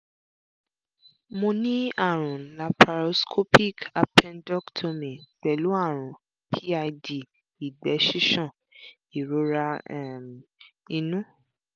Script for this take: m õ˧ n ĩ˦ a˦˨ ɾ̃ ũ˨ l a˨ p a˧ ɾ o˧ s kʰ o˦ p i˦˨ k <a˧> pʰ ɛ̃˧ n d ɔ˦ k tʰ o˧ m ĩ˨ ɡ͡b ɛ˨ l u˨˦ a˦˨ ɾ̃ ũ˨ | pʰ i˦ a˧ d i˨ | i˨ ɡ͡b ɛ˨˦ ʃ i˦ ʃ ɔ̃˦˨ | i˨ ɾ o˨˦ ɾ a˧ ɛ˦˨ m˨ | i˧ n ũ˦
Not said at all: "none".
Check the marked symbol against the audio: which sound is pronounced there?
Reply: a˧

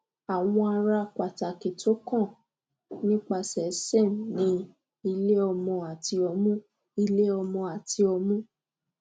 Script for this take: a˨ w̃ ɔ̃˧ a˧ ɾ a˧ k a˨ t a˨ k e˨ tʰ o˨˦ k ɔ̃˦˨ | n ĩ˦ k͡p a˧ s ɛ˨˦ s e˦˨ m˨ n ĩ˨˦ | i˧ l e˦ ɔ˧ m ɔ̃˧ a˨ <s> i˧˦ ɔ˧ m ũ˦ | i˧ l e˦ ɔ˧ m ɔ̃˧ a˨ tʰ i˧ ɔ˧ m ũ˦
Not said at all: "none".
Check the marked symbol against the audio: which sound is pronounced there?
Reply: t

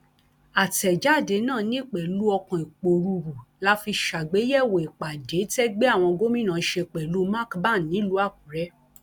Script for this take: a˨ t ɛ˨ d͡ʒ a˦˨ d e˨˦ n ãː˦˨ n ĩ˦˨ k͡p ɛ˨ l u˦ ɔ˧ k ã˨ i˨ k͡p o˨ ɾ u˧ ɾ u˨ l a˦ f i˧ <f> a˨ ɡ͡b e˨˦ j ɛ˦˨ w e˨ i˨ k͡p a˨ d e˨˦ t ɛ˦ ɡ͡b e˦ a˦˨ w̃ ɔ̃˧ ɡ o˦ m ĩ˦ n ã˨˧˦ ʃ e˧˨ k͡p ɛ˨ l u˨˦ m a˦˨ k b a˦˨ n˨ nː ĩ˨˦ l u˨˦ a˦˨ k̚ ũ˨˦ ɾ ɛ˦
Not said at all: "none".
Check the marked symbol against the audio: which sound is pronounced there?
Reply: ʃ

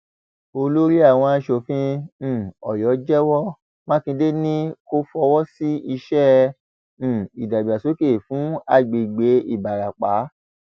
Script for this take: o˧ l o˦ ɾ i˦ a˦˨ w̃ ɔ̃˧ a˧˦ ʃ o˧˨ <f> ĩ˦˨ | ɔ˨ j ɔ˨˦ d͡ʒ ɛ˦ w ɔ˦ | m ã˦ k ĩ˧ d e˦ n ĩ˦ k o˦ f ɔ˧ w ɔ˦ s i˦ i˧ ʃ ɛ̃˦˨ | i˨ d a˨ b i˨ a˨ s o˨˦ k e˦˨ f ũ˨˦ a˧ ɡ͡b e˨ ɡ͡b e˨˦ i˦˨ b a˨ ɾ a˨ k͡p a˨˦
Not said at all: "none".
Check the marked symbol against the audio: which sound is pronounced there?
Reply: f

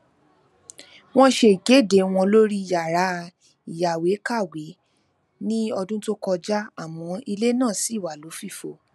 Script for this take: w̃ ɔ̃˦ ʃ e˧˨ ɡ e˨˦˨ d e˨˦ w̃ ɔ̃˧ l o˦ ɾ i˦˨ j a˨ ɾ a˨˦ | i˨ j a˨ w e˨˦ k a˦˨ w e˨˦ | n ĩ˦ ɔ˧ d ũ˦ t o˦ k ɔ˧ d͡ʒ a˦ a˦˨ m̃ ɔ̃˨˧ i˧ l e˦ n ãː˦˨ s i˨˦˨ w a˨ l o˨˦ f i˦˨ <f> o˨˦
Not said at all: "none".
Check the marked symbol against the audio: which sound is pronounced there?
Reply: f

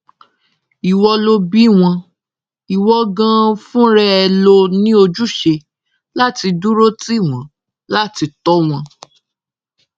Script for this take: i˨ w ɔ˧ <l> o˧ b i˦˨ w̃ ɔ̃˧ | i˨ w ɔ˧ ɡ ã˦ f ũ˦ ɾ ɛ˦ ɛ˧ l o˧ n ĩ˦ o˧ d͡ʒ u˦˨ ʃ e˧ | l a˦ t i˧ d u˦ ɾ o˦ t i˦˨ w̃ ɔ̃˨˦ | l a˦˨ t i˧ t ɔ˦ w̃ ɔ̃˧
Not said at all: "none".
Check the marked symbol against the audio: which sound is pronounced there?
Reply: l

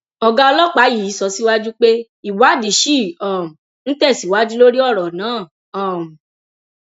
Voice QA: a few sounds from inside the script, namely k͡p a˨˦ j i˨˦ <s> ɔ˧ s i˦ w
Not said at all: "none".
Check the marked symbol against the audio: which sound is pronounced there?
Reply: s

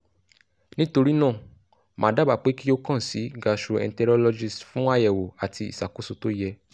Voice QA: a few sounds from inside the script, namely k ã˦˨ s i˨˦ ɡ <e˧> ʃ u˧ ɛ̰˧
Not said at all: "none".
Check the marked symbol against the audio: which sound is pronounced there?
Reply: a˧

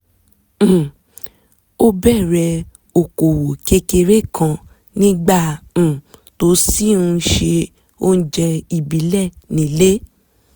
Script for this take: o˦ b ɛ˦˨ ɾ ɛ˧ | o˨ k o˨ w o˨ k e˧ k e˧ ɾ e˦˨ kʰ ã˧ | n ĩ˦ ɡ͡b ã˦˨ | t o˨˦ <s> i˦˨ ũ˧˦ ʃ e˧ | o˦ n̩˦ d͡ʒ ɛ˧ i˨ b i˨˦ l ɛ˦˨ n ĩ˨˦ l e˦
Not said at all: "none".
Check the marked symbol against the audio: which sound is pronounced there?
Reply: s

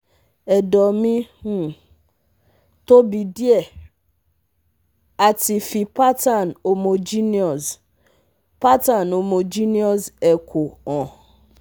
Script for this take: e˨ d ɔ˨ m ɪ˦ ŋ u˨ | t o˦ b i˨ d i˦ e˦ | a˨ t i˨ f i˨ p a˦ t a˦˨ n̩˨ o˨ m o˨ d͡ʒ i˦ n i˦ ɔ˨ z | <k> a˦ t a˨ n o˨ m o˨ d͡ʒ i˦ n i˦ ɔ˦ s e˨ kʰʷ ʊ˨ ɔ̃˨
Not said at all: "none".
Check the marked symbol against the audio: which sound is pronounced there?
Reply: p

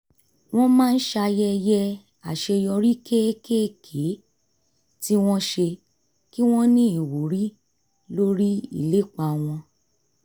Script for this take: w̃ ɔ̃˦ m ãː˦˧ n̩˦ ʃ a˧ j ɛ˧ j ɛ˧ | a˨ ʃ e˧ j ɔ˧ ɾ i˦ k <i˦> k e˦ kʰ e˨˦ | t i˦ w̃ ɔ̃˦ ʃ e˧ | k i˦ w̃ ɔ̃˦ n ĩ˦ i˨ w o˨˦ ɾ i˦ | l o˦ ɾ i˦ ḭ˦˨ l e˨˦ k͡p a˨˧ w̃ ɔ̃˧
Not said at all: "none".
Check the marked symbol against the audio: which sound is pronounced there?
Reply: e˦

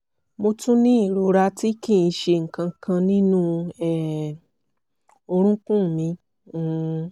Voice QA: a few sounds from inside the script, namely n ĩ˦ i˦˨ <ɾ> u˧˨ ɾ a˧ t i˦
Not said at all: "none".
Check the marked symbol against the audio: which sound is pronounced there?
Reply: ɾ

